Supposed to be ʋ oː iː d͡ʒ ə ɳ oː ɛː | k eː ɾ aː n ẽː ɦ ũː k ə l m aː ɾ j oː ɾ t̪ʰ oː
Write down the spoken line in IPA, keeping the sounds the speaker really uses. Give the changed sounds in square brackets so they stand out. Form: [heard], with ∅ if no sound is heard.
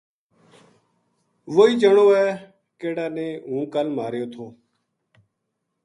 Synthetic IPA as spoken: ʋ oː iː d͡ʒ ə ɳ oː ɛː | k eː [ɽ] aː n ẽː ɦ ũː k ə l m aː ɾ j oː [∅] t̪ʰ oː